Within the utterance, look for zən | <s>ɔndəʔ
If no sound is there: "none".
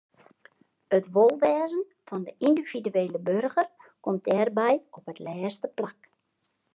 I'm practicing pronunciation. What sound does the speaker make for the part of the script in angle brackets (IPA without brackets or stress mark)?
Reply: f